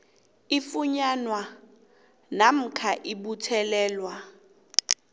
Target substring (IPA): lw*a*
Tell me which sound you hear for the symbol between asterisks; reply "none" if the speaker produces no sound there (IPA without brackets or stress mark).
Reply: a